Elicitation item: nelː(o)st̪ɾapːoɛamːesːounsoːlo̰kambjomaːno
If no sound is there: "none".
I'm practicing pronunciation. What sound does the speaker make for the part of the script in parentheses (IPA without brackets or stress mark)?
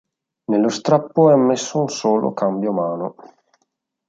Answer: o